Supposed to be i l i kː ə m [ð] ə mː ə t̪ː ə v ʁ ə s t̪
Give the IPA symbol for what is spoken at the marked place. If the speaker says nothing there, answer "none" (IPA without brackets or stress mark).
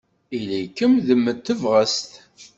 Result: ð